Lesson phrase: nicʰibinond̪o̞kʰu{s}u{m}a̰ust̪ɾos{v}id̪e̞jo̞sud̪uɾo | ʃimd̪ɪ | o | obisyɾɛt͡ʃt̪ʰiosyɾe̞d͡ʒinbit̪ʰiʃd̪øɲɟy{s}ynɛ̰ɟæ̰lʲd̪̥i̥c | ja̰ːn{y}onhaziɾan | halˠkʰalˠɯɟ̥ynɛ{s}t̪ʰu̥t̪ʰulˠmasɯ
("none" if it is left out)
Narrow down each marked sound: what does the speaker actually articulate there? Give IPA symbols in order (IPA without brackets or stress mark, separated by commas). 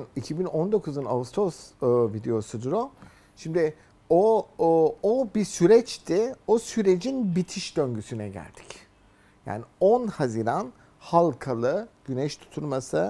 z, n, v, s, i, ʃ